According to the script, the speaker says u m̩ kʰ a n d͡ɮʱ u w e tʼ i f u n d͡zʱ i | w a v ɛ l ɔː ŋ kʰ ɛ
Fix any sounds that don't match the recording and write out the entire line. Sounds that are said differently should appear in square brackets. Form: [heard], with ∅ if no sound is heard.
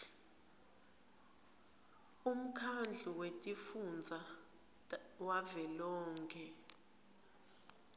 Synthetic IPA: u m̩ kʰ a n d͡ɮʱ u w e tʼ i f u n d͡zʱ [a] | w a v ɛ l ɔː ŋ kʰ ɛ

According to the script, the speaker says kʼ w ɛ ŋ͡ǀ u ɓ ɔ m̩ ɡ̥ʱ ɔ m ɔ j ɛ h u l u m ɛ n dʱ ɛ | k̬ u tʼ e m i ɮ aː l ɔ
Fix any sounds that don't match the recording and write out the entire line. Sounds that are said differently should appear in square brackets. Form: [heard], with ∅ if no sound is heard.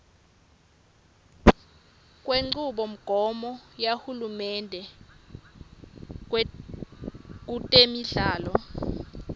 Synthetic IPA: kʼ w [e] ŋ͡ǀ u ɓ ɔ m̩ ɡ̥ʱ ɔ m ɔ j [a] h u l u m ɛ n dʱ ɛ | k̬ u tʼ e m i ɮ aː l ɔ

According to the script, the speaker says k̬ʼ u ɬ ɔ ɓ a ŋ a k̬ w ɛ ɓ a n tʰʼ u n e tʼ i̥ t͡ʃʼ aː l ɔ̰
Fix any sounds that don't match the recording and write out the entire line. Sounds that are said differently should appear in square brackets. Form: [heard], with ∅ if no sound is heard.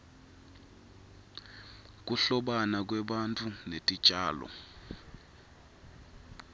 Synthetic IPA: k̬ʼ u ɬ ɔ ɓ a [n] a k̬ w ɛ ɓ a n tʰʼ u n e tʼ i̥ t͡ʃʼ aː l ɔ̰

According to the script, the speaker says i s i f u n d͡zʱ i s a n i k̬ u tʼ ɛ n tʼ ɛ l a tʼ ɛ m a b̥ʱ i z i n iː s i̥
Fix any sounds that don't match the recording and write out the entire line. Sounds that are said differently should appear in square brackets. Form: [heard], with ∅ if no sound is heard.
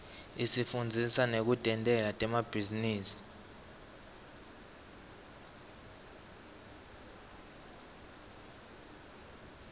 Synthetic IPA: i s i f u n d͡zʱ i s a n [e] k̬ u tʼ ɛ n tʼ ɛ l a tʼ ɛ m a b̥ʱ i z i n iː s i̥

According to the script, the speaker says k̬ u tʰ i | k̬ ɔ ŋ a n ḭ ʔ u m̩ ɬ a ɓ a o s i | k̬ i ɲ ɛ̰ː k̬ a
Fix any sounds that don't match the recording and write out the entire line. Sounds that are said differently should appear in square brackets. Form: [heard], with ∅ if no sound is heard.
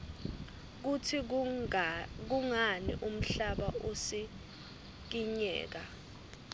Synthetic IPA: k̬ u tʰ i | k̬ [u] ŋ a n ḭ ʔ u m̩ ɬ a ɓ a o s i | k̬ i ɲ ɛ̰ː k̬ a

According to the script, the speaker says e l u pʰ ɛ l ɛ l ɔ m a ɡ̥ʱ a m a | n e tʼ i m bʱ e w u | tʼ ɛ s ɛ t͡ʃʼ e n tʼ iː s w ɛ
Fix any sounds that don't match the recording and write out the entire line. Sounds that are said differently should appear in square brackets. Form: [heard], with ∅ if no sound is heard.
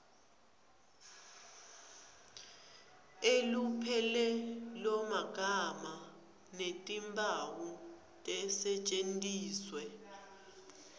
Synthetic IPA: e l u pʰ ɛ l ɛ l ɔ m a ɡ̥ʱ a m a | n e tʼ i m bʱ [a] w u | tʼ ɛ s ɛ t͡ʃʼ e n tʼ iː s w ɛ

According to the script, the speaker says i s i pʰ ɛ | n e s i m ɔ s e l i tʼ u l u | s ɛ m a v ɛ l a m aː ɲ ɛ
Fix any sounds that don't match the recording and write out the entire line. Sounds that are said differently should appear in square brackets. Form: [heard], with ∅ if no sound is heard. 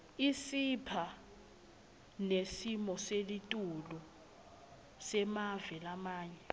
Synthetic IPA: i s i pʰ [a] | n e s i m ɔ s e l i tʼ u l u | s ɛ m a v ɛ l a m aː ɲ ɛ

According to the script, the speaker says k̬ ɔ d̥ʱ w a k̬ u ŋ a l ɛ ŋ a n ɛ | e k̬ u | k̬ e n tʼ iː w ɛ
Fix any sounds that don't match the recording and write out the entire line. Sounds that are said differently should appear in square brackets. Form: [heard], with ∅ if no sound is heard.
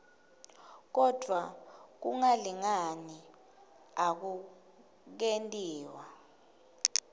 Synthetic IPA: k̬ ɔ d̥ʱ w a k̬ u ŋ a l [i] ŋ a n [i] | [a] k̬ u | k̬ e n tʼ iː w [a]

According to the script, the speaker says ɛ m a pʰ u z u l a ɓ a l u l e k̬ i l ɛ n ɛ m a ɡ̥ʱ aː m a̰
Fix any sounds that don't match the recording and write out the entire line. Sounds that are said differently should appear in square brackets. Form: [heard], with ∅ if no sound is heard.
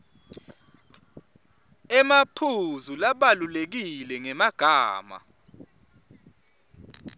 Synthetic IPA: ɛ m a pʰ u z u l a ɓ a l u l e k̬ i l ɛ [ŋ] ɛ m a ɡ̥ʱ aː m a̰

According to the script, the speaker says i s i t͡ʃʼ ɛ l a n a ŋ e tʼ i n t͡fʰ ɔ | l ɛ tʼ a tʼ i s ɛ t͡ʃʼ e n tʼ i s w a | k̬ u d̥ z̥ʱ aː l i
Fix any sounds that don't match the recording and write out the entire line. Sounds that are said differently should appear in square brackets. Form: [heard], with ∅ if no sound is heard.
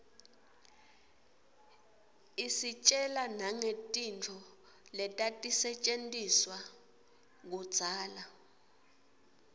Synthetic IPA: i s i t͡ʃʼ ɛ l a n a ŋ e tʼ i n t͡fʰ ɔ | l ɛ tʼ a tʼ i s ɛ t͡ʃʼ e n tʼ i s w a | k̬ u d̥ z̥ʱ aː l [a]

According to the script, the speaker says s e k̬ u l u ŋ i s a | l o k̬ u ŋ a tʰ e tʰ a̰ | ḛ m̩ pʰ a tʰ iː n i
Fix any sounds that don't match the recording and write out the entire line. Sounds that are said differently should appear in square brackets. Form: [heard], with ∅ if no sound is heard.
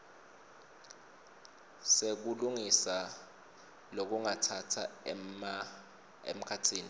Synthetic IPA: s e k̬ u l u ŋ i s a | l o k̬ u ŋ a tʰ [a] tʰ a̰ | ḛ m̩ [kʰ] a tʰ iː n i

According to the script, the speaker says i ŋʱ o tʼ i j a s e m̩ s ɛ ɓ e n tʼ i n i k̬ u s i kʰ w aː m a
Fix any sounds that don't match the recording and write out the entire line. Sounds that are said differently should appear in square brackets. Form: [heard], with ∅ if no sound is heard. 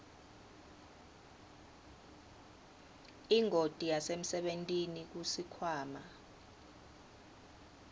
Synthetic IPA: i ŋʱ o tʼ i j a s e m̩ s ɛ ɓ e n tʼ i n i k̬ u s i kʰ w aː m a

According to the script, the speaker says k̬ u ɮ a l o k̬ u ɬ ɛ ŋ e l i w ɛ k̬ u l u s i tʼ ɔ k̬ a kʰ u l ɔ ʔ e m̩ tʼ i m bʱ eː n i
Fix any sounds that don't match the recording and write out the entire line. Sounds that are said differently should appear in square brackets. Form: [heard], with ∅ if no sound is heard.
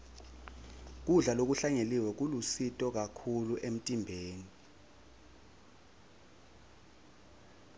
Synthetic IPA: k̬ u ɮ a l o k̬ u ɬ [a] ŋ e l i w ɛ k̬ u l u s i tʼ ɔ k̬ a kʰ u l [u] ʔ e m̩ tʼ i m bʱ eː n i

